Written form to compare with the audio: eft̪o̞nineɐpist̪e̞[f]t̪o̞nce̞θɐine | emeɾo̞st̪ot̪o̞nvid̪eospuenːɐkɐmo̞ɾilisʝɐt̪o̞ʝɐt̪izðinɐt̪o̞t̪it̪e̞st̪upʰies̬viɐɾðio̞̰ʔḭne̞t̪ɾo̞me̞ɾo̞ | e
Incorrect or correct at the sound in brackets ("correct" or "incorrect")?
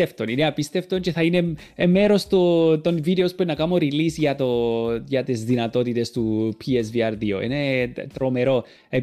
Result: correct